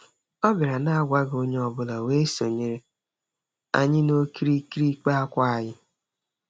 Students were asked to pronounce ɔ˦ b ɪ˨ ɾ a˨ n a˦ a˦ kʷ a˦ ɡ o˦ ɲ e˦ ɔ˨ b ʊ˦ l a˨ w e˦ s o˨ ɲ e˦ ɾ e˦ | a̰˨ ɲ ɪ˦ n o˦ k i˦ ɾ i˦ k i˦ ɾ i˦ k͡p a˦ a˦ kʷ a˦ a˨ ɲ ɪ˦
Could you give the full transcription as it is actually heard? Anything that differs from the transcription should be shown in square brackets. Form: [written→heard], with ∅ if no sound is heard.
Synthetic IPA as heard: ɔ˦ b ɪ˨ ɾ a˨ n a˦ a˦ [kʷ→ɡʷ] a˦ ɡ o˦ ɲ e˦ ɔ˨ b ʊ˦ l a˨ w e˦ s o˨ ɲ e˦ ɾ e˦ | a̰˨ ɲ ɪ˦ n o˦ k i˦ ɾ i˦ k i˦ ɾ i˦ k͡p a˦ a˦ kʷ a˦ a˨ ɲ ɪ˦